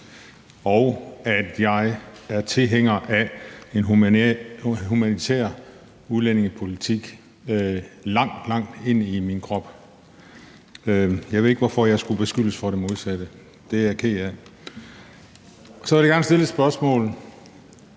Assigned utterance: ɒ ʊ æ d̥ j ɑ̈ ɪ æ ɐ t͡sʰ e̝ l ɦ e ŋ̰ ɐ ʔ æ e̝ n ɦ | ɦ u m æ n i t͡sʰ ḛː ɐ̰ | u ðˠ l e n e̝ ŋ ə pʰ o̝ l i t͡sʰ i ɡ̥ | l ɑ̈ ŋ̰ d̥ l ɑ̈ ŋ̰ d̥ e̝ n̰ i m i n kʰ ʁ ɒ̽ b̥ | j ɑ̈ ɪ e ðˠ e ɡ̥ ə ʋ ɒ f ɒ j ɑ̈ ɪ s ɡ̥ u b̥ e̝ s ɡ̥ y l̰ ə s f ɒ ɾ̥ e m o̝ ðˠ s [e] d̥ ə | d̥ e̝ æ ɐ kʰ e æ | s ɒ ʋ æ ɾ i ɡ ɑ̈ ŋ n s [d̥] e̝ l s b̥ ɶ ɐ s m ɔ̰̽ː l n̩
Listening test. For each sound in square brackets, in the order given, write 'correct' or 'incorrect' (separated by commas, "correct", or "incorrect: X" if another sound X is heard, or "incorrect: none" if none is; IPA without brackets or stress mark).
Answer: incorrect: æ, correct